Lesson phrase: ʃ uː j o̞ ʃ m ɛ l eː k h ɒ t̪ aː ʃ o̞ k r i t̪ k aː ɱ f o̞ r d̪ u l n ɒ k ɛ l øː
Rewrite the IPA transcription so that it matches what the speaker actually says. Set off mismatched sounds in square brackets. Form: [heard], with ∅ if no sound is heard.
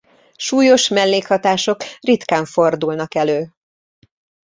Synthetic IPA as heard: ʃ uː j o̞ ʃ m ɛ [lː] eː k h ɒ t̪ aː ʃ o̞ k r i t̪ k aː ɱ f o̞ r d̪ u l n ɒ k ɛ l øː